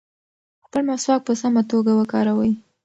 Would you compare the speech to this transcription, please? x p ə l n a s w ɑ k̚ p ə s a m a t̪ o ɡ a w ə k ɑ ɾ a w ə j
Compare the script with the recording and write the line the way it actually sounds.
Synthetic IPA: x p ə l m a s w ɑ k̚ p ə s a m a t̪ o ɡ a w ə k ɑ ɾ a w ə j